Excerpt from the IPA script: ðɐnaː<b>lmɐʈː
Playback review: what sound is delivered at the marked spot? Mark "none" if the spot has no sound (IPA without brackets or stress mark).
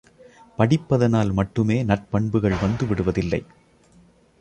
none